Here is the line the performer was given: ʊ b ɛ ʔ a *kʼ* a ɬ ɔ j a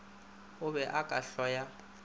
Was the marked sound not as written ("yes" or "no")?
no